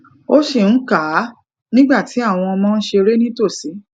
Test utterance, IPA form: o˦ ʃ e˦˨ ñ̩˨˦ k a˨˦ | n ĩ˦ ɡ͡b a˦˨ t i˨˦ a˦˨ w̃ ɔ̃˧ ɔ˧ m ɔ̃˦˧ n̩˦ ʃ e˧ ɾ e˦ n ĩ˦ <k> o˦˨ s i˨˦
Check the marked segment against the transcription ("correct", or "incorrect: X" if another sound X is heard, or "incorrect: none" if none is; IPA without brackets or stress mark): incorrect: t